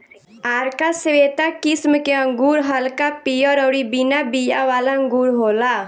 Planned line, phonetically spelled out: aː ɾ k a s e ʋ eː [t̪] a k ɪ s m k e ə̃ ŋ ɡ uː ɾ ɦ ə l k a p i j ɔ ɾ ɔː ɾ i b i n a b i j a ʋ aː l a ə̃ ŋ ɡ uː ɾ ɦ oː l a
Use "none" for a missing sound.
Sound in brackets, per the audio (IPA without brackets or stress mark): t̪